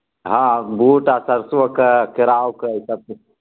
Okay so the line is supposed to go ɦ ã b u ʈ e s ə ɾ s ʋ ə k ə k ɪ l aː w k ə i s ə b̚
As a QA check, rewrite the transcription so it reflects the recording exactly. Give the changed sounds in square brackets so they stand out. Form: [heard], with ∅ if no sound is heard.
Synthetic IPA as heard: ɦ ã b u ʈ [a] s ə ɾ s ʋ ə k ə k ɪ [ɾ] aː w k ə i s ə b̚